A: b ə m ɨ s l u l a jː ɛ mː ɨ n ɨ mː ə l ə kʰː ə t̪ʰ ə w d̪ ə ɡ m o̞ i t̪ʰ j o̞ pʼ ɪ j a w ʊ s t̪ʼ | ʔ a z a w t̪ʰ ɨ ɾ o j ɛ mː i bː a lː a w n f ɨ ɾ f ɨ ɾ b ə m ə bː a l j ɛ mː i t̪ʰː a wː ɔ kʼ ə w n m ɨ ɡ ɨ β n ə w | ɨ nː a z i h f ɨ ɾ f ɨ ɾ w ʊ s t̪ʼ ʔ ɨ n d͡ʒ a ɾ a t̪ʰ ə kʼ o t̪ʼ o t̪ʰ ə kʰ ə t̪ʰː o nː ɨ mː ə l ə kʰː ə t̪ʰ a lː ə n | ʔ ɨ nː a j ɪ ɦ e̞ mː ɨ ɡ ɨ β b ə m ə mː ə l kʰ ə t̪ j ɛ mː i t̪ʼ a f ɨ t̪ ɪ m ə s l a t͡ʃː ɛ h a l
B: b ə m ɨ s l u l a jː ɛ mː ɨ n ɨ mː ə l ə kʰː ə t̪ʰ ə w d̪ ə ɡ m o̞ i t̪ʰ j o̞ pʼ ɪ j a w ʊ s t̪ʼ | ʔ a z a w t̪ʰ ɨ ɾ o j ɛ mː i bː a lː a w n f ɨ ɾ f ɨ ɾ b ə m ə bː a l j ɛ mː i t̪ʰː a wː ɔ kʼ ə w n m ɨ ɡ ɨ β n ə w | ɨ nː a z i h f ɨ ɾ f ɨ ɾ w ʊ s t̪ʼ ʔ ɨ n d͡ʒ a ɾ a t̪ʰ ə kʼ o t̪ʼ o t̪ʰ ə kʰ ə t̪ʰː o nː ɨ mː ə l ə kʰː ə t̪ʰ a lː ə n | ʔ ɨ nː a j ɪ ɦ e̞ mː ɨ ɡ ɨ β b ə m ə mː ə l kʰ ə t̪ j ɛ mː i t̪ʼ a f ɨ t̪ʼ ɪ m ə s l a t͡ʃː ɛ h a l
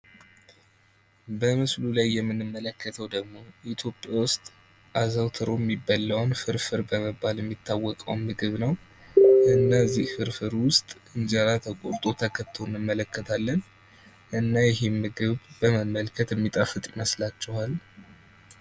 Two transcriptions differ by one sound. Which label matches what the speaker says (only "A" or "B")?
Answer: B